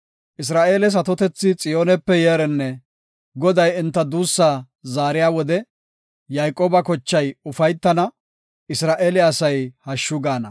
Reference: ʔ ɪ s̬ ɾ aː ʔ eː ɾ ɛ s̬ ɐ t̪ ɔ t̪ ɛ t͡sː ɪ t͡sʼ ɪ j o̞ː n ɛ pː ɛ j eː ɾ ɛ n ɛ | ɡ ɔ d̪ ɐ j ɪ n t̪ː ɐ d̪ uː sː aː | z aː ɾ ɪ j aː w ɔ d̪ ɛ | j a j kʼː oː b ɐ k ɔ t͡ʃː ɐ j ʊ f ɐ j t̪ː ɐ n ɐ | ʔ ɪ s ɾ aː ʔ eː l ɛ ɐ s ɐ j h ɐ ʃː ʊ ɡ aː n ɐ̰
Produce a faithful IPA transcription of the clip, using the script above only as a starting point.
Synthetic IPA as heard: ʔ ɪ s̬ ɾ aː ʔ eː l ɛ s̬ ɐ t̪ ɔ t̪ ɛ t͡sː ɪ t͡sʼ ɪ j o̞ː n ɛ pː ɛ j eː ɾ ɛ nː ɛ | ɡ ɔ d̪ ɐ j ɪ n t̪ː ɐ d̪ uː sː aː | z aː ɾ ɪ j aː w ɔ d̪ ɛ | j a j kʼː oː b ɐ k ɔ t͡ʃː ɐ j ʊ f ɐ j t̪ː ɐ n ɐ | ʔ ɪ s ɾ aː ʔ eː l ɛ ɐ s ɐ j h ɐ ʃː ʊ ɡ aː n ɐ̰